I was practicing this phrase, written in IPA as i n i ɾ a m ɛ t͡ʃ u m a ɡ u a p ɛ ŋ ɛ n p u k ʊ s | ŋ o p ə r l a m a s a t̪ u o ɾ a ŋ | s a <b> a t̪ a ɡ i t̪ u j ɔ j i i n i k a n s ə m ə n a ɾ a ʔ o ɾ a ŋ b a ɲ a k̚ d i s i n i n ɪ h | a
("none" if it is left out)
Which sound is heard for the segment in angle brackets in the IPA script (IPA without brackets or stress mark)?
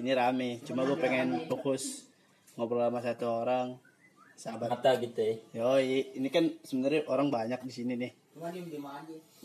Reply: b